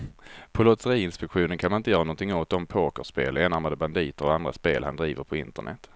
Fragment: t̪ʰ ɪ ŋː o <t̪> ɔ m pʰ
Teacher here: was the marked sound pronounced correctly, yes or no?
yes